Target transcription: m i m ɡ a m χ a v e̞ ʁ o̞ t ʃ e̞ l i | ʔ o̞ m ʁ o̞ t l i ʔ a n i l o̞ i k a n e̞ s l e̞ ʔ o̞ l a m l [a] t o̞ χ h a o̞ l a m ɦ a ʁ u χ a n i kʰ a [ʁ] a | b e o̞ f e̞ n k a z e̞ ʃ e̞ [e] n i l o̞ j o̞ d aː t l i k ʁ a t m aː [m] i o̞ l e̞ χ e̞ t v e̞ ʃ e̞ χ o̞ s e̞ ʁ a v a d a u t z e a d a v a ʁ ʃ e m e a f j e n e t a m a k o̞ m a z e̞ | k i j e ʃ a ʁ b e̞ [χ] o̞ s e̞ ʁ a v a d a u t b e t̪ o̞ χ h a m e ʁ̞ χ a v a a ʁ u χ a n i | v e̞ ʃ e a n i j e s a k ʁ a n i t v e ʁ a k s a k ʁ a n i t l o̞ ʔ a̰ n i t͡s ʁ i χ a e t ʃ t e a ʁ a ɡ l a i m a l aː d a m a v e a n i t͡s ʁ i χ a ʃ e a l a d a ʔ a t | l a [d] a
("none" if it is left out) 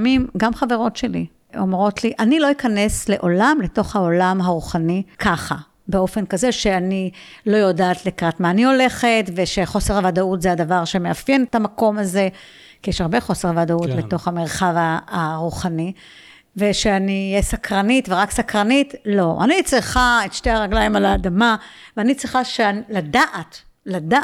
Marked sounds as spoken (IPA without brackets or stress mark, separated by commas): e, χ, a, n, χ, d